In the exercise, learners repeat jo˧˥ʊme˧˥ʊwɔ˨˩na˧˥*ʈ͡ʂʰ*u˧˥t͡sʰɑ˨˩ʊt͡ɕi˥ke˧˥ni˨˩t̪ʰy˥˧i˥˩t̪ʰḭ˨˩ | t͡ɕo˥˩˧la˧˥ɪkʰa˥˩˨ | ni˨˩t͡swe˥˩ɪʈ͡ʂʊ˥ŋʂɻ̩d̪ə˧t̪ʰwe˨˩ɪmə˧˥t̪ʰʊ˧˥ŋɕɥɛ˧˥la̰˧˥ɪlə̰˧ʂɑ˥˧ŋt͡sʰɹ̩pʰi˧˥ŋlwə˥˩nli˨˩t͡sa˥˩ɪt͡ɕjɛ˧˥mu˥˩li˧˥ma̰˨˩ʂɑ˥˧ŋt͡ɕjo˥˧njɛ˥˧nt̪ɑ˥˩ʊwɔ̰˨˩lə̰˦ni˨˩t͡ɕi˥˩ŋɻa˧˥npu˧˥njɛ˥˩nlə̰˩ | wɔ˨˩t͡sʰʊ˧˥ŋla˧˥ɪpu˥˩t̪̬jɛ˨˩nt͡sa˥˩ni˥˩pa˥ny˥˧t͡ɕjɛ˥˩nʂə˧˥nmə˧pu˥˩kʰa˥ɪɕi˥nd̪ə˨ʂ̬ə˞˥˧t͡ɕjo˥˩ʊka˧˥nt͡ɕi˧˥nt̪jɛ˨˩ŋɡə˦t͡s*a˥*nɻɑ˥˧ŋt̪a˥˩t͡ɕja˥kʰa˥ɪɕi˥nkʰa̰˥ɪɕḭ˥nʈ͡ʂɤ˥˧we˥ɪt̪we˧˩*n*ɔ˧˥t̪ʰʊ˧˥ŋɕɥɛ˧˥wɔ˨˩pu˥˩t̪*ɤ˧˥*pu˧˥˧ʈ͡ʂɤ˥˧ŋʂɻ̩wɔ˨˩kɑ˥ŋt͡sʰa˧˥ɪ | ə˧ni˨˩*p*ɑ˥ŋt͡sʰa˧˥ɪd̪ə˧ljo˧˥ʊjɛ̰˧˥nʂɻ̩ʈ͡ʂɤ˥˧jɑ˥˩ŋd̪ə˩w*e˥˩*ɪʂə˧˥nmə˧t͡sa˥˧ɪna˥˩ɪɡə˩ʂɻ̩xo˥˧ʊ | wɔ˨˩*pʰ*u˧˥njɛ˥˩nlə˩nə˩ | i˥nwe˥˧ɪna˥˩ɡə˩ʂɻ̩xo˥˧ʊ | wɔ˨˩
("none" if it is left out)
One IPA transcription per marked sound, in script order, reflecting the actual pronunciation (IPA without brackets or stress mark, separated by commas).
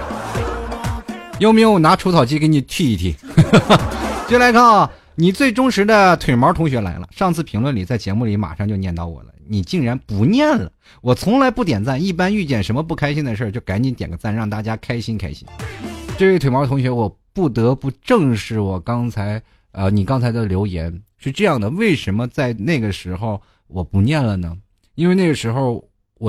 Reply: ʈ͡ʂʰ, a˥˩, m, ɤ˧˥, k, e˥˩, p